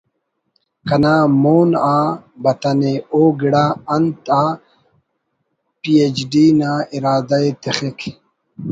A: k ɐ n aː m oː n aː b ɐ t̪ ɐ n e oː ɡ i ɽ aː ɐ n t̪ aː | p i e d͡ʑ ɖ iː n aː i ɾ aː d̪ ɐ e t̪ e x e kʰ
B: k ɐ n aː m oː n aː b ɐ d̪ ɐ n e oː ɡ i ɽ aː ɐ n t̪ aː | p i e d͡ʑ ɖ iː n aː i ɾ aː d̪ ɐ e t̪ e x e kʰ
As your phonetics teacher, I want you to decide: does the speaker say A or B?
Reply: A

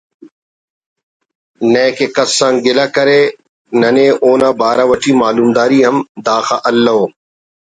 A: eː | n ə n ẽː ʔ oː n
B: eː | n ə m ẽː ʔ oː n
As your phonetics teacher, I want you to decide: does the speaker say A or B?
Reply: A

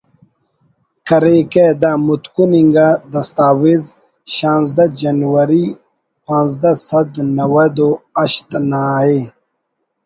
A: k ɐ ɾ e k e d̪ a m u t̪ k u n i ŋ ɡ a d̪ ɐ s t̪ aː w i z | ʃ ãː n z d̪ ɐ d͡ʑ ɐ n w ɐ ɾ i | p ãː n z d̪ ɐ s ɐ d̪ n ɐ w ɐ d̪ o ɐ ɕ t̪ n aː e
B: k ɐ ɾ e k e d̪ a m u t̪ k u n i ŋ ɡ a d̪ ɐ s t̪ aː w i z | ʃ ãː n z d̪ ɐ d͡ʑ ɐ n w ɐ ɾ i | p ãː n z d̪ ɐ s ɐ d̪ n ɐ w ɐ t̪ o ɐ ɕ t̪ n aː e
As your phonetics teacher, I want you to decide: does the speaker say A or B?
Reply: A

